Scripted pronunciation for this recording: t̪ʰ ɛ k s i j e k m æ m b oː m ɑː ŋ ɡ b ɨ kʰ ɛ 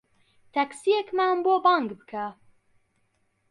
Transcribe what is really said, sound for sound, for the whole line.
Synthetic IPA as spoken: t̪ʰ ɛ k s i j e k m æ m b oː b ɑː ŋ ɡ b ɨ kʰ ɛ